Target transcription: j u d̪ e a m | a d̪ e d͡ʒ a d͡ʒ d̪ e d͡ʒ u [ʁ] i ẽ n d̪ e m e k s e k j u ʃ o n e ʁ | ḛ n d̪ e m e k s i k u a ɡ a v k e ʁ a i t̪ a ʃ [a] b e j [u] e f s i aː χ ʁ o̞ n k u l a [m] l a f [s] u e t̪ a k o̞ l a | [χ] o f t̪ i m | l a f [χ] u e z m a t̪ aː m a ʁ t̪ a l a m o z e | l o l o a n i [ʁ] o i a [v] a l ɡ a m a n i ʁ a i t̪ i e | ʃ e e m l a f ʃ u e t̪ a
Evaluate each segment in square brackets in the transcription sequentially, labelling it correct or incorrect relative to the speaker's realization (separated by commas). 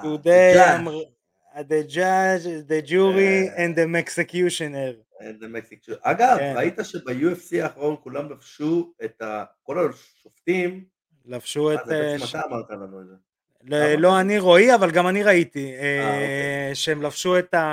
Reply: correct, incorrect, correct, correct, incorrect, incorrect, incorrect, correct, correct